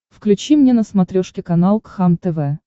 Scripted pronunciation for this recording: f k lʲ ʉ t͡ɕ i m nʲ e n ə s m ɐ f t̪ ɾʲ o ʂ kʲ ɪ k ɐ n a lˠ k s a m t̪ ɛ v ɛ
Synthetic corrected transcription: f k lʲ ʉ t͡ɕ i m nʲ e n ə s m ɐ t̪ ɾʲ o ʂ kʲ ɪ k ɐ n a lˠ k x a m t̪ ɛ v ɛ